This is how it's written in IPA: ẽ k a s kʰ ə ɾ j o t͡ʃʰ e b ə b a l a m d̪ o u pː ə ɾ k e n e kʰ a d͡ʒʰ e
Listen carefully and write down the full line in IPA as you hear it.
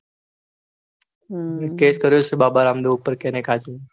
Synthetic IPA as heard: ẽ k e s k ə ɾ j o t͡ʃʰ e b a b a ɾ a m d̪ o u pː ə ɾ k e n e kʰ a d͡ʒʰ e